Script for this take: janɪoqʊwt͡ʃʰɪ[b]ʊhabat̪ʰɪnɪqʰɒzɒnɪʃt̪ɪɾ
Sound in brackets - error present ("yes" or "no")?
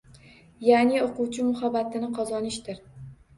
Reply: yes